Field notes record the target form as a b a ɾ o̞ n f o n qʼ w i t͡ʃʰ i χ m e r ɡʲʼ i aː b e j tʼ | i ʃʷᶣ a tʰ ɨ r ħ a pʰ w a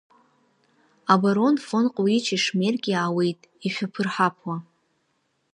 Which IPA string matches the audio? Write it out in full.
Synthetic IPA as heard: a b a ɾ o̞ n f o n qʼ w i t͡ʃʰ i ʂ m e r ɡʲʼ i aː w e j tʼ | i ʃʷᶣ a pʰ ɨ r ħ a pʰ w a